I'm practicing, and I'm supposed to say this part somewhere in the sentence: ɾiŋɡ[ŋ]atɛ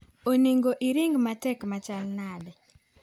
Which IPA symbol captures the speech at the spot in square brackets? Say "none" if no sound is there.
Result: m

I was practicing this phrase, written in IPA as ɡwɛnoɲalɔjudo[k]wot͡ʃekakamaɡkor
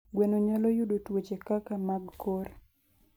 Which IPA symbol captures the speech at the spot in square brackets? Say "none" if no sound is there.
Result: t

